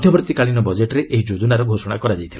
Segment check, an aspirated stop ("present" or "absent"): present